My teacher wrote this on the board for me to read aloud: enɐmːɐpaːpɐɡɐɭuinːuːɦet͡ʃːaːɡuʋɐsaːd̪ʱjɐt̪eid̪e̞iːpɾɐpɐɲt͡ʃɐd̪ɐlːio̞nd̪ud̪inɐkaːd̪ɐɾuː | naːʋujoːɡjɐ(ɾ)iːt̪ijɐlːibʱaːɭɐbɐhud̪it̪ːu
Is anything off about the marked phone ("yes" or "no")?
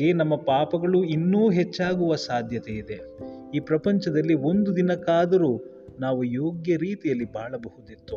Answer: no